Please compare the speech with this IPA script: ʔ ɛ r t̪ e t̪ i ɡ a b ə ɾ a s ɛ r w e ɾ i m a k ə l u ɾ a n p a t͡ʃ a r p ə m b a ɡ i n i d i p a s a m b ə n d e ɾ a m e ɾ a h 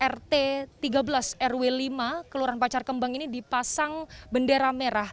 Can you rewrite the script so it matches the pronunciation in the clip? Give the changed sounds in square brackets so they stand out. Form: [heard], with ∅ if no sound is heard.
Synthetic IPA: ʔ ɛ r t̪ e t̪ i ɡ a b ə [l] a s ɛ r w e [l] i m a k ə l u ɾ a n p a t͡ʃ a r [k] ə m b a [ŋ] i n i d i p a s a [ŋ] b ə n d e ɾ a m e ɾ a h